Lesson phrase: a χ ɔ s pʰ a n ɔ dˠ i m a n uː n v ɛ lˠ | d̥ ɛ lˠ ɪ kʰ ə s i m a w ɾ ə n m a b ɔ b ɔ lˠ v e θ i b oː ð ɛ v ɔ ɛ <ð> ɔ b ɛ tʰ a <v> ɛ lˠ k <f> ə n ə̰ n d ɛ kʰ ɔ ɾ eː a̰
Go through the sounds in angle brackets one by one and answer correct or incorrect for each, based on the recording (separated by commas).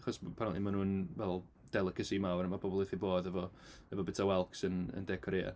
incorrect, incorrect, incorrect